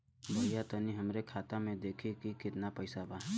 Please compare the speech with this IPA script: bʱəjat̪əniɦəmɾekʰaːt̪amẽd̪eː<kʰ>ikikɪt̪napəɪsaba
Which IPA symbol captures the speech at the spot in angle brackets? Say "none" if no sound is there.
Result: kʰ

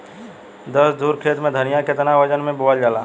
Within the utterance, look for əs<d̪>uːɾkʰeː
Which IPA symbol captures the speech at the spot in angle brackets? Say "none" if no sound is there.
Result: d̪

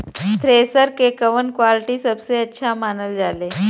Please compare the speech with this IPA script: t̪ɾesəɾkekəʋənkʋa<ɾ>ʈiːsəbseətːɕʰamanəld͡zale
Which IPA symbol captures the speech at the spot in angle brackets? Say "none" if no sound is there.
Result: l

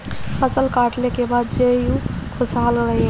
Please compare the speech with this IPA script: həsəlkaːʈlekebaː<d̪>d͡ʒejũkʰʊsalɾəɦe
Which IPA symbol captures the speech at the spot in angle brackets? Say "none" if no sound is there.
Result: d̪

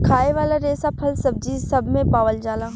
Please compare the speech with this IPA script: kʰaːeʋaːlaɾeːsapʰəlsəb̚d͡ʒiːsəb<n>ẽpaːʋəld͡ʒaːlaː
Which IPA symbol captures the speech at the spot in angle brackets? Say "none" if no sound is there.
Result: m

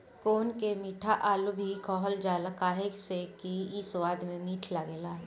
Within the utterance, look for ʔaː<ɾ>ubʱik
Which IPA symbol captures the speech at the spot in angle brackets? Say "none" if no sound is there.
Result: l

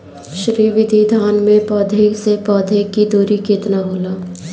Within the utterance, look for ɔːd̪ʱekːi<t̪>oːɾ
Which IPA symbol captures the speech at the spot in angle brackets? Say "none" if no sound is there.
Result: d̪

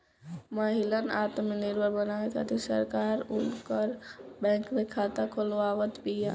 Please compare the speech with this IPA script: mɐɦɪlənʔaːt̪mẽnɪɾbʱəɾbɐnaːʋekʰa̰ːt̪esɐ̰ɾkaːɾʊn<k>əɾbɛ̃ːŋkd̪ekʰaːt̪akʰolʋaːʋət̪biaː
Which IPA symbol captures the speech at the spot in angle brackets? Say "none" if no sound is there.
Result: k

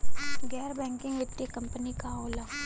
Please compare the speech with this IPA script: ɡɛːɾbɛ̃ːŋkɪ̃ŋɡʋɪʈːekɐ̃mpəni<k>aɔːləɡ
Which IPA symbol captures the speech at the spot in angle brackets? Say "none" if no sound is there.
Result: k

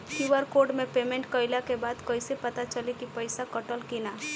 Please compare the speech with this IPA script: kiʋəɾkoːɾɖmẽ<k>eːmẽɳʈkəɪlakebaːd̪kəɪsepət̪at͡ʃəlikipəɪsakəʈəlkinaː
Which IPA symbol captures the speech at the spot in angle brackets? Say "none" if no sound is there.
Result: p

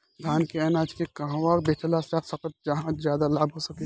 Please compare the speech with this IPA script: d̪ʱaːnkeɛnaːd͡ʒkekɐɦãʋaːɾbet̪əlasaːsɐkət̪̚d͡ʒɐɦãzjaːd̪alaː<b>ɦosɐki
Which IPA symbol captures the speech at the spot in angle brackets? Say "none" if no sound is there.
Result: b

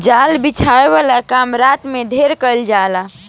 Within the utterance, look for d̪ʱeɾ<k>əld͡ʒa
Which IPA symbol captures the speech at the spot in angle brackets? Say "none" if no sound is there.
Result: k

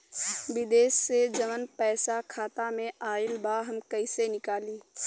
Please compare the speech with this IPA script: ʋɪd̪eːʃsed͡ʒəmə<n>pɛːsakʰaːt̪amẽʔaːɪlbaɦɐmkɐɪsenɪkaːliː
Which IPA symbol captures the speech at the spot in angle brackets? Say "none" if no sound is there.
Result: n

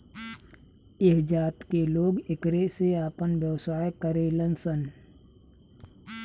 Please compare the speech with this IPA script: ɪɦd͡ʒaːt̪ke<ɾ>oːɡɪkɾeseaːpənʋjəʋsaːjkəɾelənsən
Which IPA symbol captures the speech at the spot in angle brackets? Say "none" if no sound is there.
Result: l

